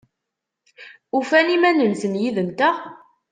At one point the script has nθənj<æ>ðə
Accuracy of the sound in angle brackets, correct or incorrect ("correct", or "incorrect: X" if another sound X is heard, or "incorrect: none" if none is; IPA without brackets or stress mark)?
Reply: incorrect: i